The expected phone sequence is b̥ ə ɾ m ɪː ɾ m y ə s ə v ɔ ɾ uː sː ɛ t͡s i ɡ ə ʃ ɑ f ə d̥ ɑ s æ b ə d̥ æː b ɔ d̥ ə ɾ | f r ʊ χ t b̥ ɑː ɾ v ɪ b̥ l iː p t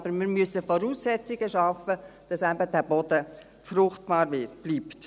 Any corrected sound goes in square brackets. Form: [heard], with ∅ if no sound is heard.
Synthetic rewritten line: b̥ ə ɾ m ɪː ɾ m y ə s ə [f] ɔ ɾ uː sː ɛ t͡s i ɡ ə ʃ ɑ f ə d̥ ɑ s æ b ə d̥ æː b ɔ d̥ ə [∅] | f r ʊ χ t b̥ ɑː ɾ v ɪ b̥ l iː p t